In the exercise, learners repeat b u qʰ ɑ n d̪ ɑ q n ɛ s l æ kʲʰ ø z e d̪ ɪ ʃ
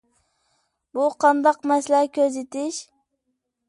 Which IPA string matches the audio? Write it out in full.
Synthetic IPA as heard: b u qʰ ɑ n d̪ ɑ q m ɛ s l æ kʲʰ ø z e t̪ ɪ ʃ